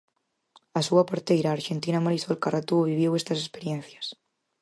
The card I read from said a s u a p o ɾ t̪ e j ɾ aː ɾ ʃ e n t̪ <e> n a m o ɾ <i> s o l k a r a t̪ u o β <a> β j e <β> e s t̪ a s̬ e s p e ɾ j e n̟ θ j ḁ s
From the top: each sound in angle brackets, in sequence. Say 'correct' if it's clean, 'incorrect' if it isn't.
incorrect: i, correct, incorrect: i, incorrect: w

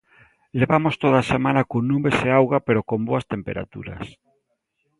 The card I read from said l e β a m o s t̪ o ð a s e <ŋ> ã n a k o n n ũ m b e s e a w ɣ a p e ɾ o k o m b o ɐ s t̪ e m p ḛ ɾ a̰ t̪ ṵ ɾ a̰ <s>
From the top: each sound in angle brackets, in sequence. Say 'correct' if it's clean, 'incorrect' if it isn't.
incorrect: m, correct

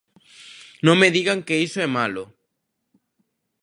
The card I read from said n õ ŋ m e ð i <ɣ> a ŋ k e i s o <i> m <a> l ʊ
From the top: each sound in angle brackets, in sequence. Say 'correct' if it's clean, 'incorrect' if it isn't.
correct, incorrect: ɛ, correct

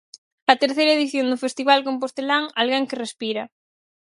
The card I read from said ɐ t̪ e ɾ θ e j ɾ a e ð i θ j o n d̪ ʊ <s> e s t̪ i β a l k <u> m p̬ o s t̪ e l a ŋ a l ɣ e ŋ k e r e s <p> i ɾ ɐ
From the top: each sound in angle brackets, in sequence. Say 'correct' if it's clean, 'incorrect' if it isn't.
incorrect: f, incorrect: o, correct

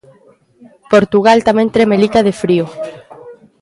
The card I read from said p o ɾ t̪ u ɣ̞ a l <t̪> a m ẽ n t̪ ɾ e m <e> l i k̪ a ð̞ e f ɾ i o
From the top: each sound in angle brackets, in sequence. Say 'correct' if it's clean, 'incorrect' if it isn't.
correct, correct

